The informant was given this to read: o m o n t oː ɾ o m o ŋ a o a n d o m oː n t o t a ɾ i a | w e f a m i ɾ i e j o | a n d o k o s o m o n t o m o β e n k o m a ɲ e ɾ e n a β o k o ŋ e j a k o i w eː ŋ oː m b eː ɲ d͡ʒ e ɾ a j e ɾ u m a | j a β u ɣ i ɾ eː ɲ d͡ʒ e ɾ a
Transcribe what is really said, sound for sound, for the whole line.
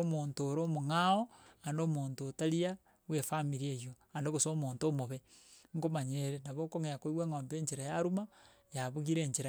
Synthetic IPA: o m o n t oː ɾ o m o ŋ a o a n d o m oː n t o t a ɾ i a | w e f a m i ɾ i e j o | a n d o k o s o m o n t o m o β e ŋ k o m a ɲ e ɾ e n a β o k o ŋ e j a k o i w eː ŋ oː m b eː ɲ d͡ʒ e ɾ a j a ɾ u m a | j a β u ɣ i ɾ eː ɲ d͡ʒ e ɾ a